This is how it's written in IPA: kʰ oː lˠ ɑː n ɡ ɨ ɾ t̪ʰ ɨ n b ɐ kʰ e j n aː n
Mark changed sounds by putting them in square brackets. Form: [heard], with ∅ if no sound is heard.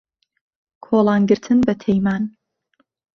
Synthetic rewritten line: kʰ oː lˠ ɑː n ɡ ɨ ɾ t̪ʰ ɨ n b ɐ [tʰ] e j [m] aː n